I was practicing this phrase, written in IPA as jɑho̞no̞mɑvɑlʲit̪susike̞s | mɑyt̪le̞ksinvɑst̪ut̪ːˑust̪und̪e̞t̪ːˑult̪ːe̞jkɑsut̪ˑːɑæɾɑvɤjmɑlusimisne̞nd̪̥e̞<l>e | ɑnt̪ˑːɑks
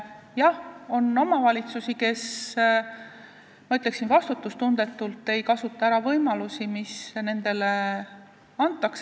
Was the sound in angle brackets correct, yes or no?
yes